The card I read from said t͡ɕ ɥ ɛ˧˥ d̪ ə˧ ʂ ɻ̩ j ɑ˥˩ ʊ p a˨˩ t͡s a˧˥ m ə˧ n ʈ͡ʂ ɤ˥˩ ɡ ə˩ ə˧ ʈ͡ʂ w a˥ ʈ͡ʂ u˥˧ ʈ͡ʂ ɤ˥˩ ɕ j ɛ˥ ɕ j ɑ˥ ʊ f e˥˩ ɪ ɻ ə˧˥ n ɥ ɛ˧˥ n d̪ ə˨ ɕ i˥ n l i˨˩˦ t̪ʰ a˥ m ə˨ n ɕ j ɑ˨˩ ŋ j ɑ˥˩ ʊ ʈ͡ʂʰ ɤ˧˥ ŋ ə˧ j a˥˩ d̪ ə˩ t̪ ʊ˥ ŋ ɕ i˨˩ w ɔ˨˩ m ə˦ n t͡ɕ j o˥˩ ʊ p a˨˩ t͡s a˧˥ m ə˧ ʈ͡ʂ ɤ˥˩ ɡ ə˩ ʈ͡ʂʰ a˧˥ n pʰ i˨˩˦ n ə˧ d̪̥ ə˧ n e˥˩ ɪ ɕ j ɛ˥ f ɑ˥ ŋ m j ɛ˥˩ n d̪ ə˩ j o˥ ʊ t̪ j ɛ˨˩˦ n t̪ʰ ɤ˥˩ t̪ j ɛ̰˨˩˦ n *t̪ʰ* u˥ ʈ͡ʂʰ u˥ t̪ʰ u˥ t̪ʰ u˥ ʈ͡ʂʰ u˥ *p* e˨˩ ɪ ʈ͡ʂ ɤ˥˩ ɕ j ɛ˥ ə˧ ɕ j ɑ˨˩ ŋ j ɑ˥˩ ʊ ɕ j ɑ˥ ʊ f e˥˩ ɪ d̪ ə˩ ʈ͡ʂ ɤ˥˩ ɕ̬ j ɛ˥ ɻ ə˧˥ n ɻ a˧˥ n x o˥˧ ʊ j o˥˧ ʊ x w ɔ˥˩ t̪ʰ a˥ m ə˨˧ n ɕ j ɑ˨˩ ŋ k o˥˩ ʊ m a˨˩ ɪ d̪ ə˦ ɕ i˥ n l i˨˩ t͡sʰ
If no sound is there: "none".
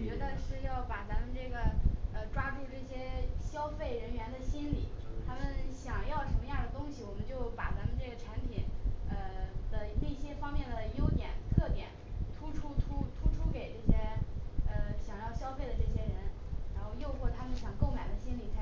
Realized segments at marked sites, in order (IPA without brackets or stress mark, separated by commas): t̪ʰ, k